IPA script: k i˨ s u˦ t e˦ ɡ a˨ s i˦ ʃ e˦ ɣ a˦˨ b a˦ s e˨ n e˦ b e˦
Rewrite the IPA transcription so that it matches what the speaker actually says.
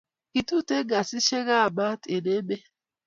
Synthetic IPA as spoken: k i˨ t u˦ t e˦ ɡ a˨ s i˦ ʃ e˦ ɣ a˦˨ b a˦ t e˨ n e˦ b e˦

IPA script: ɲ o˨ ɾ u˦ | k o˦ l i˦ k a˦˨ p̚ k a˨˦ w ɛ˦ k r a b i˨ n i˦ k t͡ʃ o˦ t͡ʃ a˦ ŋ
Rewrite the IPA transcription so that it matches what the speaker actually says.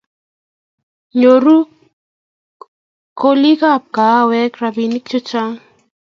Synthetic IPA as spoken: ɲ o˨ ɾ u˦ | k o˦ l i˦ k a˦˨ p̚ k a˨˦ w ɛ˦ k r a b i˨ n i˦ k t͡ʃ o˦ t͡ʃ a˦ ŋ

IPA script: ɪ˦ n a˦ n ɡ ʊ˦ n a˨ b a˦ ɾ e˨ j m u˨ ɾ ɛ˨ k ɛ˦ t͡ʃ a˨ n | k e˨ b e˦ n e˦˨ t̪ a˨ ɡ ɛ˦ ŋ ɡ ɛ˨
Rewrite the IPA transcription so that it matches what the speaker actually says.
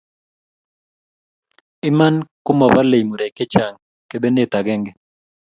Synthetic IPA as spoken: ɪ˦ m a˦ n k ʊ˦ m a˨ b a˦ l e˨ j m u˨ ɾ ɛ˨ k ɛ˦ t͡ʃ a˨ ŋ | k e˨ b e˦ n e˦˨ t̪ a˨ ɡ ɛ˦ ŋ ɡ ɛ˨

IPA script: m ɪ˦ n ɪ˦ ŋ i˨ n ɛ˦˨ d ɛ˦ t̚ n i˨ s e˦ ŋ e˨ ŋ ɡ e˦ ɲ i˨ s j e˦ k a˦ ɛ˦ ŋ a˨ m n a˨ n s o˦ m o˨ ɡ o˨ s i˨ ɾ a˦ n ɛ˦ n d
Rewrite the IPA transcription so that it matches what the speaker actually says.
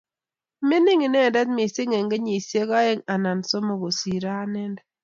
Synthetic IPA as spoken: m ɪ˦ n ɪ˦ ŋ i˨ n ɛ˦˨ d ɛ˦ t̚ m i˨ s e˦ ŋ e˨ ŋ ɡ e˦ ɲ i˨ s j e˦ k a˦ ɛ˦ ŋ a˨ n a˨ n s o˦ m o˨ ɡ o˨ s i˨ ɾ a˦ n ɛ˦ n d

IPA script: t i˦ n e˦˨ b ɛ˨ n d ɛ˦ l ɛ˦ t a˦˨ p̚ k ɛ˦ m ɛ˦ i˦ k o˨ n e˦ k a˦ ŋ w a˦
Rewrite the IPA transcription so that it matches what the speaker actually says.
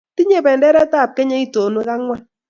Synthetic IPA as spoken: t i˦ ɲ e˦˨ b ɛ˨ n d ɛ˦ ɾ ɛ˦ t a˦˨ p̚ k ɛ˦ ɲ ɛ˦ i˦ t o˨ n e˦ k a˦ ŋ w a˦

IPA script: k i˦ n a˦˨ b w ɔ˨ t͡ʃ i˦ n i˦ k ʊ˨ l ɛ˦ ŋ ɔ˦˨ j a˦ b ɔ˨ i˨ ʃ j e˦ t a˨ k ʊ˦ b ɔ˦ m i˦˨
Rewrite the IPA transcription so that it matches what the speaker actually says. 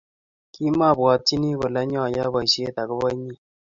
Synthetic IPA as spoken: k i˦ m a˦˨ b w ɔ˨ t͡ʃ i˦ n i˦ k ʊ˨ l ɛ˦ ɲ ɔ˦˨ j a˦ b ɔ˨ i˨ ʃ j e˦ t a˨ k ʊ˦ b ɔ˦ ɲ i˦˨

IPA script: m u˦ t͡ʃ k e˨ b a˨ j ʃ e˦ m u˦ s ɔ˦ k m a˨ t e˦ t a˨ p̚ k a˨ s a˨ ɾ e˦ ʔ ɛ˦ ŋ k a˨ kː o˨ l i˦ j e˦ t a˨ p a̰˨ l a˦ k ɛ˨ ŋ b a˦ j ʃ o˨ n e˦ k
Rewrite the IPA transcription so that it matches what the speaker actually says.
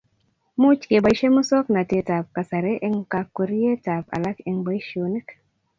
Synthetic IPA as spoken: m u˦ t͡ʃ k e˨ b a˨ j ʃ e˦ m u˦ s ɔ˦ k n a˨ t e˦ t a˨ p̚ k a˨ s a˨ ɾ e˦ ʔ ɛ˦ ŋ k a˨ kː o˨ ɾ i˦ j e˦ t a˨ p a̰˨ l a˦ k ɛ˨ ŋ b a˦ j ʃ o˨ n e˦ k

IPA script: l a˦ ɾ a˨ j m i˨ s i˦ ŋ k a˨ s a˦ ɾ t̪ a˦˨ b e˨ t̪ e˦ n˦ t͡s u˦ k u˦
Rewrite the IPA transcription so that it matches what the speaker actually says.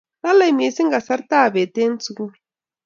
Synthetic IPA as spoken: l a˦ l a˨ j m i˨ s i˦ ŋ ɡ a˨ s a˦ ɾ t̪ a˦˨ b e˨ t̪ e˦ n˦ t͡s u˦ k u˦

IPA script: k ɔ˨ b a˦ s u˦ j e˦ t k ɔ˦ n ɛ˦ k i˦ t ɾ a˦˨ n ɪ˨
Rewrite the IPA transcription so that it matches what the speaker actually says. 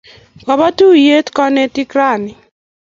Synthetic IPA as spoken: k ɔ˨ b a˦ t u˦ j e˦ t k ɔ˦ n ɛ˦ t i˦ k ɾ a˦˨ n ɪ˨

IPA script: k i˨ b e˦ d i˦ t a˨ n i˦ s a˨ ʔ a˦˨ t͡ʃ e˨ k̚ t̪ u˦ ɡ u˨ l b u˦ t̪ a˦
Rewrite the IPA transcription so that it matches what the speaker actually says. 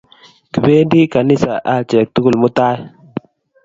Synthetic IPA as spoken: k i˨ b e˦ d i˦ k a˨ n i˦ s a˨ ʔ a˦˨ t͡ʃ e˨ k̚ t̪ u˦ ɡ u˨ l m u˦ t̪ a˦

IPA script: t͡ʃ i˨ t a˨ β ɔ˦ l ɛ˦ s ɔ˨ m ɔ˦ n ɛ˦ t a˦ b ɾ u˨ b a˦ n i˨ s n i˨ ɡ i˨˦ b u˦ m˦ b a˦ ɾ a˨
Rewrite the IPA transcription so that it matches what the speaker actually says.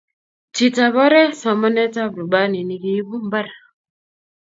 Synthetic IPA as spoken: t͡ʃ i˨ t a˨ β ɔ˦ ɾ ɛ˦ s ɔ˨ m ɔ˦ n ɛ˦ t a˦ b ɾ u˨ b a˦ n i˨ n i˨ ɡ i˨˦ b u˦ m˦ b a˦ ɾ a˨

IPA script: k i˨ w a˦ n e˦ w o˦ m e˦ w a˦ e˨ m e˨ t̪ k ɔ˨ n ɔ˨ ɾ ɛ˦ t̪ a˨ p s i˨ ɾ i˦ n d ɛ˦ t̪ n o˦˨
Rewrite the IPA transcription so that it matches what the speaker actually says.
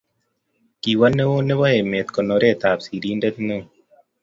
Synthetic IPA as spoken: k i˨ w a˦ n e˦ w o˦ n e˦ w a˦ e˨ m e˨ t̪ k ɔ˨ n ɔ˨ ɾ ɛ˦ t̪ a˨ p s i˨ ɾ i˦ n d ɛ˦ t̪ n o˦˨

